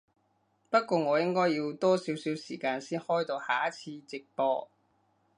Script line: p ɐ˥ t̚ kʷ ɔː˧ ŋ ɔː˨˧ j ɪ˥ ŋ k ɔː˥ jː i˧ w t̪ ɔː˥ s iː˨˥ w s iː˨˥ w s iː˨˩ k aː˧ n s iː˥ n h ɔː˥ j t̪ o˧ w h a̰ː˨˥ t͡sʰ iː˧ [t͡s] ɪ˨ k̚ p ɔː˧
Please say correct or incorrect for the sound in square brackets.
correct